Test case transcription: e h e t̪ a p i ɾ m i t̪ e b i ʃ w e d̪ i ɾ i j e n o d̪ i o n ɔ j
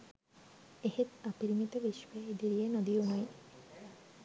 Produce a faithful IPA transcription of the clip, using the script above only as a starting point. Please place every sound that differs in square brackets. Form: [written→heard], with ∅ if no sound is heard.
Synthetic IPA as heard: e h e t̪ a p i ɾ m i t̪ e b i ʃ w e d̪ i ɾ i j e n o d̪ i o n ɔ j